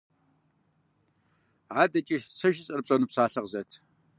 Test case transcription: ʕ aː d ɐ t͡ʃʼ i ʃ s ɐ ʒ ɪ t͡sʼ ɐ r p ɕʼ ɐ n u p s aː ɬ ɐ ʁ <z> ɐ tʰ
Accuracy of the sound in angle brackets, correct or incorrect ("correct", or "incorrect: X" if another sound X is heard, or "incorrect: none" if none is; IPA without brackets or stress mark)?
correct